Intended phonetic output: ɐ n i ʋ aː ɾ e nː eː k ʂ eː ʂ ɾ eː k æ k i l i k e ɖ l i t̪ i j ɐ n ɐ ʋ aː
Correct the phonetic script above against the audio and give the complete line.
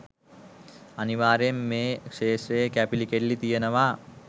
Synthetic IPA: ɐ n i ʋ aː ɾ e mː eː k ʂ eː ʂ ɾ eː k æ p i l i k e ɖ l i t̪ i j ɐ n ɐ ʋ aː